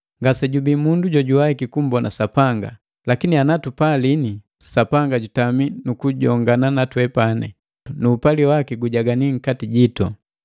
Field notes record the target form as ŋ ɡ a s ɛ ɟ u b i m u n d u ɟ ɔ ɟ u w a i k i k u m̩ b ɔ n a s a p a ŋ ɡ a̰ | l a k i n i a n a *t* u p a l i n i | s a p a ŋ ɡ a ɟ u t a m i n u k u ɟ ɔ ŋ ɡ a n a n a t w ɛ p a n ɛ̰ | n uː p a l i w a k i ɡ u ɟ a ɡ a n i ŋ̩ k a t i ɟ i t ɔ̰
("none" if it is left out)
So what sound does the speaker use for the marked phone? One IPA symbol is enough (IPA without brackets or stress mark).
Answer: t